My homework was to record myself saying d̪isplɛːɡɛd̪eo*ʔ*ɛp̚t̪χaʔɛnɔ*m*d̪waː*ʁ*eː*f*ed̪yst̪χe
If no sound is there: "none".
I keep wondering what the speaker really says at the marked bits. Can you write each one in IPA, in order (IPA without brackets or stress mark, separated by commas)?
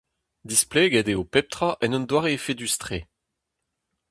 p, n, ʁ, f